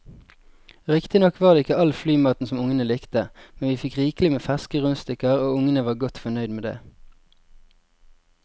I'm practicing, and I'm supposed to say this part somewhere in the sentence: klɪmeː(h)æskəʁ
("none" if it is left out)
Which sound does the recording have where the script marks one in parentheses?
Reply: f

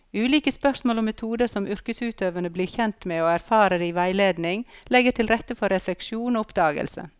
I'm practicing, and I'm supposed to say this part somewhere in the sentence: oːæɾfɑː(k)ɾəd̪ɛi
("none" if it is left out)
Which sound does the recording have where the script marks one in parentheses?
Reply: none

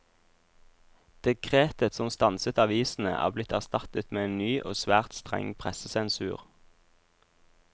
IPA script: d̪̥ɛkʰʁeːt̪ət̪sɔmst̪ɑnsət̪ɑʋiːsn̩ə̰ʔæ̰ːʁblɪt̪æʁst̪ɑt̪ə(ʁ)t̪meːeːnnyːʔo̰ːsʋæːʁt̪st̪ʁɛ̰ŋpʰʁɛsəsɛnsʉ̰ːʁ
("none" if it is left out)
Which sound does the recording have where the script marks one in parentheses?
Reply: none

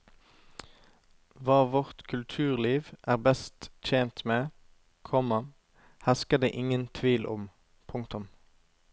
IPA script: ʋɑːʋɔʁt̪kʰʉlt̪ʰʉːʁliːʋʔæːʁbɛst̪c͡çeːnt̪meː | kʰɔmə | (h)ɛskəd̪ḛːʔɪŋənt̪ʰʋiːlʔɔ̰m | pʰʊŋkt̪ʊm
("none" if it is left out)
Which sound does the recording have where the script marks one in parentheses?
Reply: h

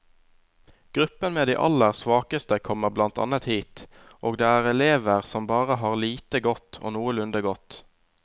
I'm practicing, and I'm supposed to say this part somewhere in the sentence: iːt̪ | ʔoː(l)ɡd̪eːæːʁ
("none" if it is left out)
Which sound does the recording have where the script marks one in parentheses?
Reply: none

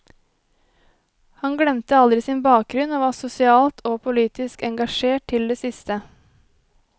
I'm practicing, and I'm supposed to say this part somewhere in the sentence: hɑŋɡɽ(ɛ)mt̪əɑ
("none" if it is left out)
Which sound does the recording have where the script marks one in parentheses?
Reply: ɛ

